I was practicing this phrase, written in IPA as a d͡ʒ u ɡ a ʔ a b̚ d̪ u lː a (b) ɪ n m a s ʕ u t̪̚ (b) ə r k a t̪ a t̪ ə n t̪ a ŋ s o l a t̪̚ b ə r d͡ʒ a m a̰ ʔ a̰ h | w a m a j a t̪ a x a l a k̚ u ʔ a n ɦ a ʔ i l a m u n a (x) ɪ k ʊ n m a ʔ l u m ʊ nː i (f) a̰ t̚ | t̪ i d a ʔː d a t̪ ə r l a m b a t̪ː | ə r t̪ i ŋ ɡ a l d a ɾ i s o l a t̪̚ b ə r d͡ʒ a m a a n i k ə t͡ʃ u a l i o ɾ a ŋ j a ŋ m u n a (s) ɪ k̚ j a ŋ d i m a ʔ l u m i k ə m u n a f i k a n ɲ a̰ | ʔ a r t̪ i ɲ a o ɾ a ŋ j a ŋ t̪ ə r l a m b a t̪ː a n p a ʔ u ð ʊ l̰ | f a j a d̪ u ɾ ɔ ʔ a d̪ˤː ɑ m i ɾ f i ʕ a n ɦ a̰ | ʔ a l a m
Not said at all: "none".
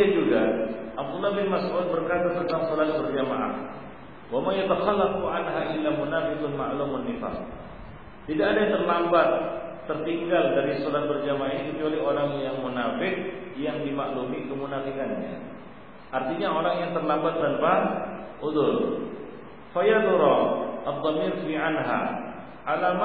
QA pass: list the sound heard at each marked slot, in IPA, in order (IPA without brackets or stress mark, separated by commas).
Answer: b, b, f, f, f